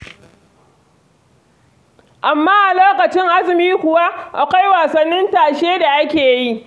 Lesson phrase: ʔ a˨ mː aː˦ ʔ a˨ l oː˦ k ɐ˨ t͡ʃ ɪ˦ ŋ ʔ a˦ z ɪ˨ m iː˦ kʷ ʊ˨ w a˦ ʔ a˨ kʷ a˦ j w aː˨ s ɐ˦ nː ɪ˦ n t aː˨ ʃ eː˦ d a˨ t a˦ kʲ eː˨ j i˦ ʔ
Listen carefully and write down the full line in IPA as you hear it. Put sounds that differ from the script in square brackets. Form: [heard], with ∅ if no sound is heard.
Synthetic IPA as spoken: ʔ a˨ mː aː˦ ʔ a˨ l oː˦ k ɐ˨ t͡ʃ ɪ˦ ŋ ʔ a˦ z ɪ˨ m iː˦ kʷ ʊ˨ w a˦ ʔ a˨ kʷ a˦ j w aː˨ s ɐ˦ nː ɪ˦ n t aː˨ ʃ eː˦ d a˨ [ʔ] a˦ kʲ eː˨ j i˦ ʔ